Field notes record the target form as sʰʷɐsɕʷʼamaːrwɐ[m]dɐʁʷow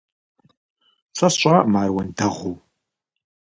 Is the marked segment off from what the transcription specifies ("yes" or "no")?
yes